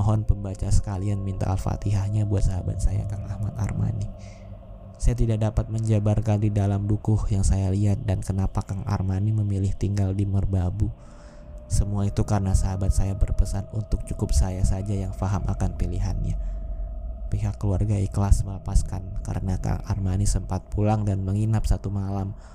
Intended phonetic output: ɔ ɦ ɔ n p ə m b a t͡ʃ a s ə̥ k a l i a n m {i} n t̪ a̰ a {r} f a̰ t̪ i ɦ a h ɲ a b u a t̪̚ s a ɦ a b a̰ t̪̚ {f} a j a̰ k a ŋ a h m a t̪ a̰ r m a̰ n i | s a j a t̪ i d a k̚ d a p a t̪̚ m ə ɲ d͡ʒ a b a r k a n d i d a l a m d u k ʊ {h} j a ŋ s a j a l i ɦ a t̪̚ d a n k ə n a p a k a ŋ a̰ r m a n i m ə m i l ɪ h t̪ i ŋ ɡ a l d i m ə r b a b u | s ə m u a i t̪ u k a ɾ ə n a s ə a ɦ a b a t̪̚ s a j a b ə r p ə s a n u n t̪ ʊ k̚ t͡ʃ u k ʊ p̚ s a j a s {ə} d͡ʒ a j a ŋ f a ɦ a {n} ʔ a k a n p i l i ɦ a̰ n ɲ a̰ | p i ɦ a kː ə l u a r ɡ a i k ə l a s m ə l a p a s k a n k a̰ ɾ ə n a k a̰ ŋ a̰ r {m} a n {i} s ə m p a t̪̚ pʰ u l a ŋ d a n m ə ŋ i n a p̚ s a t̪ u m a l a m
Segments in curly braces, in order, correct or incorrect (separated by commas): correct, incorrect, incorrect, correct, incorrect, incorrect, correct, correct